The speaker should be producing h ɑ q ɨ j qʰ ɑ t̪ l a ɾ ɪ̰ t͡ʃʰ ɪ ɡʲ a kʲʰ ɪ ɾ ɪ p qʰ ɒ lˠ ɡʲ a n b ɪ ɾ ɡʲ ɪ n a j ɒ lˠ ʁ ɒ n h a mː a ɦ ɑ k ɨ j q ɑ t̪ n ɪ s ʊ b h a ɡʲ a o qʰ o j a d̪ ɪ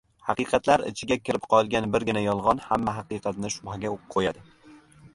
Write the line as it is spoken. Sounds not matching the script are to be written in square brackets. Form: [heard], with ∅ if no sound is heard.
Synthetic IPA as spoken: h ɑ q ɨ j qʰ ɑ t̪ l a ɾ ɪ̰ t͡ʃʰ ɪ ɡʲ a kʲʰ ɪ ɾ ɪ p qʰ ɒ lˠ ɡʲ a n b ɪ ɾ ɡʲ ɪ n a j ɒ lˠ ʁ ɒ n h a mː a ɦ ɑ [q] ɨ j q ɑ t̪ n ɪ [ʃ] ʊ b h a ɡʲ a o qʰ o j a d̪ ɪ